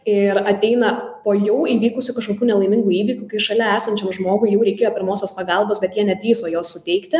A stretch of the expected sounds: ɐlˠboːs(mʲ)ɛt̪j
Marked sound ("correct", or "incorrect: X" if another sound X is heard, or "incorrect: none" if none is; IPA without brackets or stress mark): incorrect: bʲ